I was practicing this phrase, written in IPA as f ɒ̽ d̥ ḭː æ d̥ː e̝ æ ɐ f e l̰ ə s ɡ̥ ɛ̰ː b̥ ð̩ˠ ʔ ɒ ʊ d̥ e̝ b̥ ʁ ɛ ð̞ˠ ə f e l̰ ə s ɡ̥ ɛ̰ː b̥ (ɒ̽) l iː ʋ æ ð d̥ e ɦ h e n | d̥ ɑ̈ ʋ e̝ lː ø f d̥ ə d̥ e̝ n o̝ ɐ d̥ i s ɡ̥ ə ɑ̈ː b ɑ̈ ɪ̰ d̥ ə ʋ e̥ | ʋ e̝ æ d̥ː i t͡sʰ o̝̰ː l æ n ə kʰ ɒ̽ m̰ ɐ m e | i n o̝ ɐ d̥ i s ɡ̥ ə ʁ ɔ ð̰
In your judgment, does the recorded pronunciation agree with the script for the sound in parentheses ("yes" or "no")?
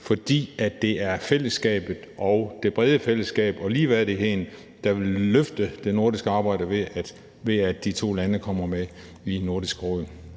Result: yes